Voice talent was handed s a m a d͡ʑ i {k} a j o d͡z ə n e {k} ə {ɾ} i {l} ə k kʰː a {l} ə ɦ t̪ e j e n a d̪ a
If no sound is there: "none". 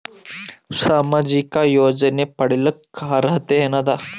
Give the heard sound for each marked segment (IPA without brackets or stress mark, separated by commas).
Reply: k, p, ɽ, l, ɾ